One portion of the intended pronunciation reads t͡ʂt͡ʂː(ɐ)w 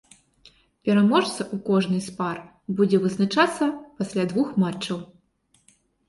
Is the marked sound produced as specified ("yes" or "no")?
yes